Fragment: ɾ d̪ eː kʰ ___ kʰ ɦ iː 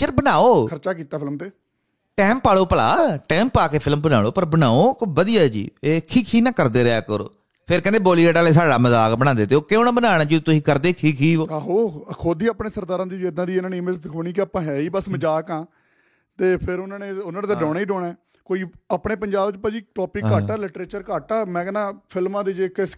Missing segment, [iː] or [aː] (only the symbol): iː